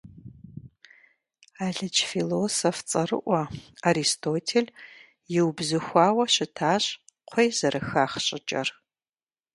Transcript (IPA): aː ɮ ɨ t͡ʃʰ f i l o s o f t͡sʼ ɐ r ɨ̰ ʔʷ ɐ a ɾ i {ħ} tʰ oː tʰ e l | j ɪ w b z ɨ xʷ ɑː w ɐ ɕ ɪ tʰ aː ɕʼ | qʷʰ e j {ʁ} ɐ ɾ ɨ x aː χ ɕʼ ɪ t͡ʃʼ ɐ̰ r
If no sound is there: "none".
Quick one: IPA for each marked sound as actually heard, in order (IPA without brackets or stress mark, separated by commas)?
s, z